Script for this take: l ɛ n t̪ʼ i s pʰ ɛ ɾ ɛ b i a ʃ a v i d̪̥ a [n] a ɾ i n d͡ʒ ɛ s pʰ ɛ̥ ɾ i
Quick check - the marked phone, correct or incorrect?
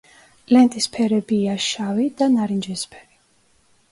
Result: correct